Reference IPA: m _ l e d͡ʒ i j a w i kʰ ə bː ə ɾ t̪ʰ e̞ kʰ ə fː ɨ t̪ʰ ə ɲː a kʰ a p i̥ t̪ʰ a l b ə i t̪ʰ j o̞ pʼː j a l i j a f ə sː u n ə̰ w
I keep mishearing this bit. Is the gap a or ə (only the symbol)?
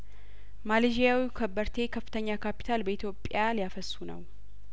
a